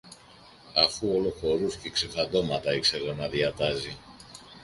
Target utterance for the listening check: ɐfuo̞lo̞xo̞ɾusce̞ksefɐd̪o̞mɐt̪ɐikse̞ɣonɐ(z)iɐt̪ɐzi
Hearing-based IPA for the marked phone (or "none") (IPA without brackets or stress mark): ð